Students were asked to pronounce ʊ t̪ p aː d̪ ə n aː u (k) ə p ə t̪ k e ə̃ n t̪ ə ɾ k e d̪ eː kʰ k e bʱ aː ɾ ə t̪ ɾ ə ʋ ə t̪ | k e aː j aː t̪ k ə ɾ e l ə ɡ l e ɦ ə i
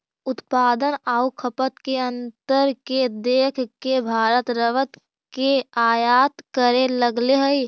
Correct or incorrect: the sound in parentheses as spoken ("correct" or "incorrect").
incorrect